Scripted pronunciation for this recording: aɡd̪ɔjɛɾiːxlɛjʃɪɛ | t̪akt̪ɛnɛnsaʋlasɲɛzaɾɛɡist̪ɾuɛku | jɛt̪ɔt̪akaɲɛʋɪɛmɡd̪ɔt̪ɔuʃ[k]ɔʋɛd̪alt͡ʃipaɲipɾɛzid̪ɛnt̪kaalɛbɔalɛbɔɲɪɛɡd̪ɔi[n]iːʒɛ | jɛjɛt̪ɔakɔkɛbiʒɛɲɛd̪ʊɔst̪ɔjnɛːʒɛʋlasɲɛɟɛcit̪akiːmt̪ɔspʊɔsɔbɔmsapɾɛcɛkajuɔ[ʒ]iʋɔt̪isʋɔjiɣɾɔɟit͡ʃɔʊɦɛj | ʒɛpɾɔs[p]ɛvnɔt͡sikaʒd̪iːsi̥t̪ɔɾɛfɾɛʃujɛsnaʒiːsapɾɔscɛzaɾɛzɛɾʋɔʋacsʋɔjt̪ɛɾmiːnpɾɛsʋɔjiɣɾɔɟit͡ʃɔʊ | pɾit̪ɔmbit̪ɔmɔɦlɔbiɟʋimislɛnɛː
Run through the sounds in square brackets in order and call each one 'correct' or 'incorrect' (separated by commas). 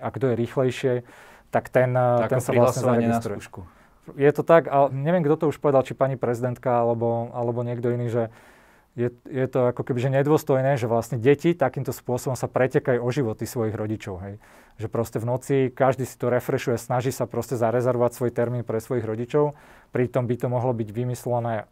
incorrect, correct, correct, incorrect